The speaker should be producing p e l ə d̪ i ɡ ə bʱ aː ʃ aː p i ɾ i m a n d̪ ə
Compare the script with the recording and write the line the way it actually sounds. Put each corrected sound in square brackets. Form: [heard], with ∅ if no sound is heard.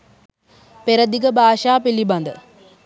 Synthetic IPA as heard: p e [ɾ] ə d̪ i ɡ ə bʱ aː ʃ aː p i [l] i [b] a n d̪ ə